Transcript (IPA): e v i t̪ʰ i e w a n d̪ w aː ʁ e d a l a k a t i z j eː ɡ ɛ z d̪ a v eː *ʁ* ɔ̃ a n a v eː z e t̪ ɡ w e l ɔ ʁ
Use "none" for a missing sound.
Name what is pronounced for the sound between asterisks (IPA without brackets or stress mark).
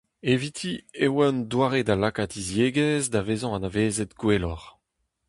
z